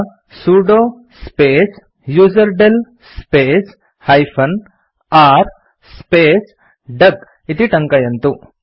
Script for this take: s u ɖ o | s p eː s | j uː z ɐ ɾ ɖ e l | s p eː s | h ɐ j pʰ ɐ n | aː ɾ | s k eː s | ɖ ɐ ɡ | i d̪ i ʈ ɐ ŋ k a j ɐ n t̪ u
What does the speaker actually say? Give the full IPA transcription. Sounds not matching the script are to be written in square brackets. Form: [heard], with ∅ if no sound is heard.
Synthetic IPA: s u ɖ o | s p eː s | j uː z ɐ ɾ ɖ e l | s p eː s | h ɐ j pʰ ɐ n | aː ɾ | s [p] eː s | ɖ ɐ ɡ | i [t̪] i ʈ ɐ ŋ k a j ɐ n t̪ u